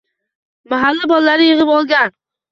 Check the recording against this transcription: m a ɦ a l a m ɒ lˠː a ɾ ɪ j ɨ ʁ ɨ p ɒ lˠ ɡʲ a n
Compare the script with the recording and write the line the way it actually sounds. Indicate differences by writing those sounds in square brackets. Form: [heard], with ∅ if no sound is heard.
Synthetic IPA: m a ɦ a [lː] a [b] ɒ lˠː a ɾ ɪ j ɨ ʁ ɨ p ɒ lˠ ɡʲ a n